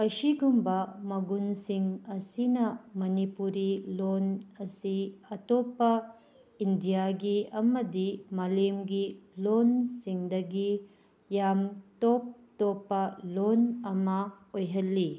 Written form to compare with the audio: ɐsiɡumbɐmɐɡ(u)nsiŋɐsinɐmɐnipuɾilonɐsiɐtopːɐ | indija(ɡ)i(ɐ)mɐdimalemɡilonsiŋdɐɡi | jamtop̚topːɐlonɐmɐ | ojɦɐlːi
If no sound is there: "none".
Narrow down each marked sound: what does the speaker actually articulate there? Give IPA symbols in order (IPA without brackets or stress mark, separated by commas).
u, ɡ, ɐ